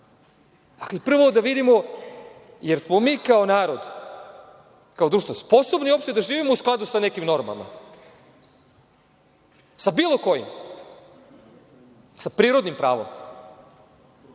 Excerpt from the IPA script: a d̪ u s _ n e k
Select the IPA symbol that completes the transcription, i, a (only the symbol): a